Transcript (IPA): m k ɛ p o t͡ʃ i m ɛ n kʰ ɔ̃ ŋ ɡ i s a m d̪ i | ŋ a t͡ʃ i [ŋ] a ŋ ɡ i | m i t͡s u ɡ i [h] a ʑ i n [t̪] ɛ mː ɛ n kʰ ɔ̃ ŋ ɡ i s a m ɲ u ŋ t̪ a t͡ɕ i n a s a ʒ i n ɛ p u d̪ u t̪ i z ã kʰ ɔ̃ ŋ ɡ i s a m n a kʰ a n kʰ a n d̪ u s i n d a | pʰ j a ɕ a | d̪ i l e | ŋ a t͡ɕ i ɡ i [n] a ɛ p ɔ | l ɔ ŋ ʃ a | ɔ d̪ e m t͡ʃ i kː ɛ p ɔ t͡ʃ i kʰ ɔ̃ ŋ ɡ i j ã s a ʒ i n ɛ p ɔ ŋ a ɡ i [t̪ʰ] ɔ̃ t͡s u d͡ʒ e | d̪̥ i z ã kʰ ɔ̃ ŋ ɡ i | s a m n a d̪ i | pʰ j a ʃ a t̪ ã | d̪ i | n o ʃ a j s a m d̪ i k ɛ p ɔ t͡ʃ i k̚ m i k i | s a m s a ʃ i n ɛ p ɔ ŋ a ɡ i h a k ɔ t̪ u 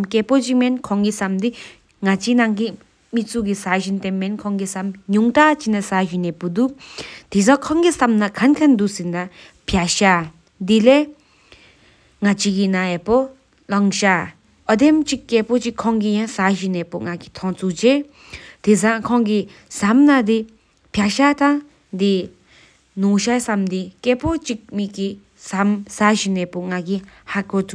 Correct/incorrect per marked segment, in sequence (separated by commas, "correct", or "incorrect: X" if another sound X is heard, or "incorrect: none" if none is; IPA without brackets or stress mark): incorrect: n, incorrect: s, correct, correct, correct